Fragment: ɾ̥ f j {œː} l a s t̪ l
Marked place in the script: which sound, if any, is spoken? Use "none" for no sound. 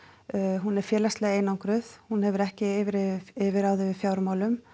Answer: ɛː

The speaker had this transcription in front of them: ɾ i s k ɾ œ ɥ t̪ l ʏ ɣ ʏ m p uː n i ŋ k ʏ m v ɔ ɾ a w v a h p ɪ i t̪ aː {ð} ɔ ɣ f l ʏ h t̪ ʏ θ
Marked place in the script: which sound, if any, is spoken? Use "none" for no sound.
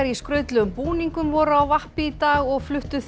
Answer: ɣ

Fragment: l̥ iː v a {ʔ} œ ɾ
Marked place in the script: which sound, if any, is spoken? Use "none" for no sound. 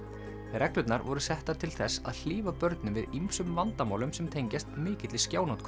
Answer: p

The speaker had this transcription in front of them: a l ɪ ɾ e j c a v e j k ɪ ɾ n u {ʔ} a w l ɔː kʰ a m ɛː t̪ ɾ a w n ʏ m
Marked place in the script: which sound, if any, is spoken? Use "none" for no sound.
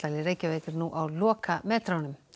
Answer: ʔ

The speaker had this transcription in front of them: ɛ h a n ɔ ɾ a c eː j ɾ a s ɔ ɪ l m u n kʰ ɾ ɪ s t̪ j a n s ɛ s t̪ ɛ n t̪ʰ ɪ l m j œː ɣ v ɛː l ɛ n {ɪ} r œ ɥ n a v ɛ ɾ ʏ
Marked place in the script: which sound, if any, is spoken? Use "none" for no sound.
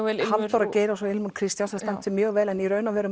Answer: i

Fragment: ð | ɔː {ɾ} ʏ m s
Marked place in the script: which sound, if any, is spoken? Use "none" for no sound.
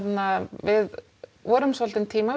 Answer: ɾ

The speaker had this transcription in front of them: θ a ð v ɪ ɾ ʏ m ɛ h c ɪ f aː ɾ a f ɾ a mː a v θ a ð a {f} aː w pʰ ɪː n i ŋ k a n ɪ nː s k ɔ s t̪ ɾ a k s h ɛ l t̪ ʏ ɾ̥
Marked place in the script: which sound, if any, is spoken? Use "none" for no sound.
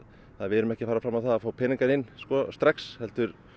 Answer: f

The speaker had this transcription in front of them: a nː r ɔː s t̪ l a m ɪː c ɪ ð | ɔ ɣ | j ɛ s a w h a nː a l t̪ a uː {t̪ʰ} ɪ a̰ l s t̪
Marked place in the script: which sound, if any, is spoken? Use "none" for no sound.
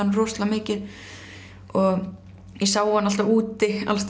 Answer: t̪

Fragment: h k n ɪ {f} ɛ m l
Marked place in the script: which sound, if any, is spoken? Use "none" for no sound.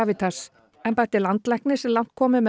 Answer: s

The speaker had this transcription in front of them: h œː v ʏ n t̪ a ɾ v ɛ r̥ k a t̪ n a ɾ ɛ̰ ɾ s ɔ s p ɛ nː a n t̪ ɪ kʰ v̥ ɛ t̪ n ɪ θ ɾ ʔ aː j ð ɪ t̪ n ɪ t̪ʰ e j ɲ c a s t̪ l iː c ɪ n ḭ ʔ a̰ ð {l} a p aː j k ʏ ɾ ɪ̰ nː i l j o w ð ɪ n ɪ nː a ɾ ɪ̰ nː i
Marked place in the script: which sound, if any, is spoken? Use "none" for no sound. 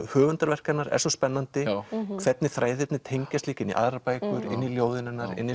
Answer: ɾ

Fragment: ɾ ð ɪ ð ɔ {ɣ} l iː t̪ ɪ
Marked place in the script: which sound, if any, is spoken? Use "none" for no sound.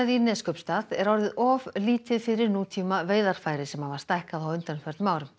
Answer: v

